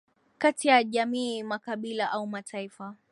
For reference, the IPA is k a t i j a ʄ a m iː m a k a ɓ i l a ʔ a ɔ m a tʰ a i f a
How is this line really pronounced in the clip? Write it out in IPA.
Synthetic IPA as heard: k a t i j a ʄ a m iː m a k a ɓ i l a ʔ a u m a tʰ a i f a